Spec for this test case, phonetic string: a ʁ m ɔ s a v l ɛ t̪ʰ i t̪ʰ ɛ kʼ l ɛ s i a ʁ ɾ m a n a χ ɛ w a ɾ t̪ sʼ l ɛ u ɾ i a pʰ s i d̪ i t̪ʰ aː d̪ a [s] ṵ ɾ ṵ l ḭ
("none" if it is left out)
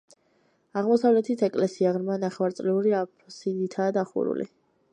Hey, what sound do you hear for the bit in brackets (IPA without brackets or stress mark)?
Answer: χ